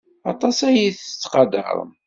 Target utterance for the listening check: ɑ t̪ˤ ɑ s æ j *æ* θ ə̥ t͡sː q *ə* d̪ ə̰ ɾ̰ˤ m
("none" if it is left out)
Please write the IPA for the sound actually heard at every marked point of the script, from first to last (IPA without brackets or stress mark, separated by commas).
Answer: i, ɑ